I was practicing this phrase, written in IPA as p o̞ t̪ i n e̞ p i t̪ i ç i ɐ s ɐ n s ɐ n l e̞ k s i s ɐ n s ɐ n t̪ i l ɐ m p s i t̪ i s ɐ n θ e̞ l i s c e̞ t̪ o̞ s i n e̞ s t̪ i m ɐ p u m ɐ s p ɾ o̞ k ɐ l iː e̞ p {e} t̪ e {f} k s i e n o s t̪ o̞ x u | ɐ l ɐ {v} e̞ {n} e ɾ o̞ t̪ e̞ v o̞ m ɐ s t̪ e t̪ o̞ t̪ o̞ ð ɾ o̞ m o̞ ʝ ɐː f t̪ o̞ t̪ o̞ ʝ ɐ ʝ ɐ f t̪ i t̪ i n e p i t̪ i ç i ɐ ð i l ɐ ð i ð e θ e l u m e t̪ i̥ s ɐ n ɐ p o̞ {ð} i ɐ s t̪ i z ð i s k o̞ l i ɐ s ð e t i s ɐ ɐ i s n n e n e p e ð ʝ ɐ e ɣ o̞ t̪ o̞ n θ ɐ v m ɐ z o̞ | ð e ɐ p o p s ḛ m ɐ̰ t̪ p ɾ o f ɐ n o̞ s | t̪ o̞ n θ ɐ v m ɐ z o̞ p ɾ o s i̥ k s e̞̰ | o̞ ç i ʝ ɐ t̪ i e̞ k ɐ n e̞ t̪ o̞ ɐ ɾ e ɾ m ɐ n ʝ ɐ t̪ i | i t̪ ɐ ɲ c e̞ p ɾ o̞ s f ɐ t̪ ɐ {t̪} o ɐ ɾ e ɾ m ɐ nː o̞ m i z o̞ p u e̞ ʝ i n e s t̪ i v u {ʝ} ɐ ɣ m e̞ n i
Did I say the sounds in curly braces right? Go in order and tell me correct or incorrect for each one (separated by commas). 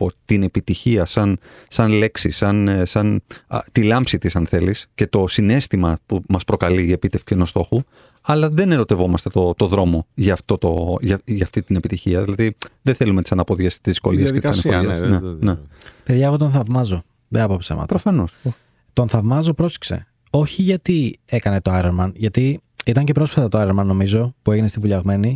incorrect, correct, incorrect, correct, correct, correct, incorrect